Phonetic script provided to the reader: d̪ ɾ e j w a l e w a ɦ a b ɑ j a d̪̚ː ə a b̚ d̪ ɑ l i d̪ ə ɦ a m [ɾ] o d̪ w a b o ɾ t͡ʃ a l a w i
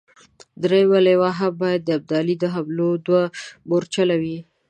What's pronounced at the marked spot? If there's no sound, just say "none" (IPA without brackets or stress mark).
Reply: l